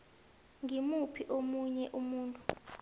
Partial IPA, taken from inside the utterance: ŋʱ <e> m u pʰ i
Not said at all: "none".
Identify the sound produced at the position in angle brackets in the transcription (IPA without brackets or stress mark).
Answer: i